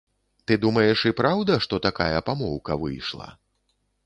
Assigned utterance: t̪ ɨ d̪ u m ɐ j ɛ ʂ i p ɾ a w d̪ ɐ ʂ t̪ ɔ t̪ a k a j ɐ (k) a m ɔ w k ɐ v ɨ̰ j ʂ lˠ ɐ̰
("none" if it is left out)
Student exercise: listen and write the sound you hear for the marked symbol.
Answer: p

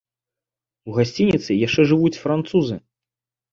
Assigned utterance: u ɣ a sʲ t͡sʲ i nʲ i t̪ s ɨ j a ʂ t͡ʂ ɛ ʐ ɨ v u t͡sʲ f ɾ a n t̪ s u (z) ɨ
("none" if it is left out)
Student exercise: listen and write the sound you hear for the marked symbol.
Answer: z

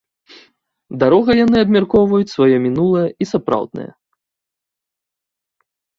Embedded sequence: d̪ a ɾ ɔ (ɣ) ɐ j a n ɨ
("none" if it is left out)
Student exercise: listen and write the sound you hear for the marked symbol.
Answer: ɣ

